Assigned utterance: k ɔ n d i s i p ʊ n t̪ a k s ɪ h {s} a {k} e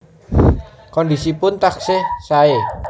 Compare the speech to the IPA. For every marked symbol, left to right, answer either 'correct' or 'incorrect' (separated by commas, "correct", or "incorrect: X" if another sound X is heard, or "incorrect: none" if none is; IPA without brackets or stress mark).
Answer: correct, incorrect: none